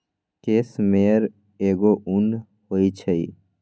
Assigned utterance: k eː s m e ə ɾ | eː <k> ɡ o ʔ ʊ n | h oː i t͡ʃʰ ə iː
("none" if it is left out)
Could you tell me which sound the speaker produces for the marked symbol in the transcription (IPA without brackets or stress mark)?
none